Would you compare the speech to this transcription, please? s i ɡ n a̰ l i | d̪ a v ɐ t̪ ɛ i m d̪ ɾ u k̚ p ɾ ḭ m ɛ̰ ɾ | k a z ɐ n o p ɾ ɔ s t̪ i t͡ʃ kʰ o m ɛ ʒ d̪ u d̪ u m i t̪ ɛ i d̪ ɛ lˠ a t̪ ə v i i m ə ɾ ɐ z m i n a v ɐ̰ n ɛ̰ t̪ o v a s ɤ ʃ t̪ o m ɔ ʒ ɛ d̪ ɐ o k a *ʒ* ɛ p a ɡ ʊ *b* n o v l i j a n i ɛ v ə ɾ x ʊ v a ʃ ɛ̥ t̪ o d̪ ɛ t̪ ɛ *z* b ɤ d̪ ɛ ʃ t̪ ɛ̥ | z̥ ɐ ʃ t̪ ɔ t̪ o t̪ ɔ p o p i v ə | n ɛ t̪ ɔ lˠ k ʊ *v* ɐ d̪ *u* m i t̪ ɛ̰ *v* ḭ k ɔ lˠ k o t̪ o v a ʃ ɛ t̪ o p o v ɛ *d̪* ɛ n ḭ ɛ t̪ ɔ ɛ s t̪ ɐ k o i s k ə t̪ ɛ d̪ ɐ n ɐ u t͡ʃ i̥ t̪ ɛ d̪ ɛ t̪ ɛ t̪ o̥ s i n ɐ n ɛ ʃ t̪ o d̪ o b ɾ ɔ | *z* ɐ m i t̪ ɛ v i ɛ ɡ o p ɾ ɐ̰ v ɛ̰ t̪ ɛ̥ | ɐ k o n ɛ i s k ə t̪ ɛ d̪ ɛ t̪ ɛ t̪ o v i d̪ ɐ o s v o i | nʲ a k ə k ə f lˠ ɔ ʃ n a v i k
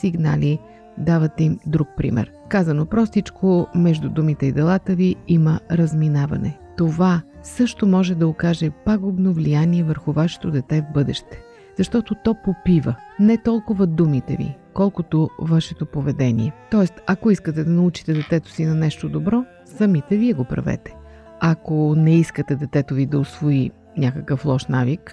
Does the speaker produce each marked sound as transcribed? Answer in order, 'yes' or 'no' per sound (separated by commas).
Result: yes, yes, no, yes, yes, yes, yes, no